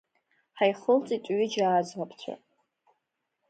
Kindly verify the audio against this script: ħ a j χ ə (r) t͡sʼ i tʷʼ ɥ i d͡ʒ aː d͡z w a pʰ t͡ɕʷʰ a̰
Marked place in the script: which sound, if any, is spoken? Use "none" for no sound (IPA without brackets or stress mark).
l